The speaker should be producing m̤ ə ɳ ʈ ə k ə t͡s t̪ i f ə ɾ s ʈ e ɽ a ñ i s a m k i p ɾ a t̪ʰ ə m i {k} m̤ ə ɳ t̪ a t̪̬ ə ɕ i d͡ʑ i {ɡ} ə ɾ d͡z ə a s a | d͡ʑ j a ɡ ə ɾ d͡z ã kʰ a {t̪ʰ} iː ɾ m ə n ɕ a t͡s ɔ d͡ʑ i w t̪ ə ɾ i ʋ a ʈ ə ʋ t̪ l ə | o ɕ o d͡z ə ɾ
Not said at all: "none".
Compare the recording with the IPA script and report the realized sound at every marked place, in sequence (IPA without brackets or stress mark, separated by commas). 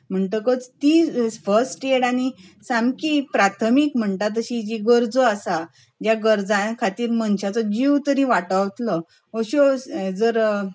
k, ɡ, t̪